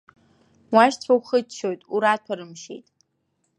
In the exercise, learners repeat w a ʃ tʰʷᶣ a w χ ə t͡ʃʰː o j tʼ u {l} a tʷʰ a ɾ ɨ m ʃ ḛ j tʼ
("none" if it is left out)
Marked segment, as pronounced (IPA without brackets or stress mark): ɾ